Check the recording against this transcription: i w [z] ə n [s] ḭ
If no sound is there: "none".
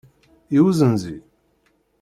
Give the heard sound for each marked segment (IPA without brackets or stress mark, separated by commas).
z, z